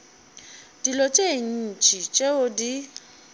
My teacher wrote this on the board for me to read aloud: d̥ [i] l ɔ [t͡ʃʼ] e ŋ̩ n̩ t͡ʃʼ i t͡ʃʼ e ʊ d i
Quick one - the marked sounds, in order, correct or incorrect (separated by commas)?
correct, correct